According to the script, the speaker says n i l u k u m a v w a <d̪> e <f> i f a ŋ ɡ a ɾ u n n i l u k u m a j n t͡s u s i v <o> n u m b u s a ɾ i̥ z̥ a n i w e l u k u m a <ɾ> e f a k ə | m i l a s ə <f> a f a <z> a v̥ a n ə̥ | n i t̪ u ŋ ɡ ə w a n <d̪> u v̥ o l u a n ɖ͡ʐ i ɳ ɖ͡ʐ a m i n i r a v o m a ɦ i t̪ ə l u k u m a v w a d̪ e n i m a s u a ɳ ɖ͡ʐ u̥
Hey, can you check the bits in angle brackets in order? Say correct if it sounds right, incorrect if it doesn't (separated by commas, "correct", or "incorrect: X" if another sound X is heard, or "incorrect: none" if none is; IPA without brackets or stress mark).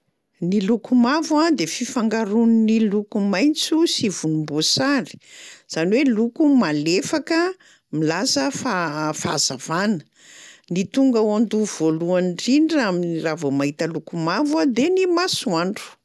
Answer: correct, correct, incorrect: u, incorrect: l, correct, correct, correct